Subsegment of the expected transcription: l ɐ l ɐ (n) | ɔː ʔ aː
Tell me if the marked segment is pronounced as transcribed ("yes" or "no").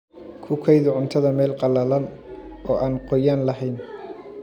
yes